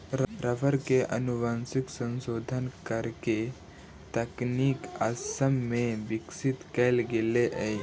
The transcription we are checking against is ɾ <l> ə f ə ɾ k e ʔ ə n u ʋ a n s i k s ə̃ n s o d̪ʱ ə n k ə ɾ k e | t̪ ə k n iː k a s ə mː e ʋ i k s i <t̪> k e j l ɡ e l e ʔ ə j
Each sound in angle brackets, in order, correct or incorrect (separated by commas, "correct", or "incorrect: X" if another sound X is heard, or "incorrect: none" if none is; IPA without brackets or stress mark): incorrect: ɾ, correct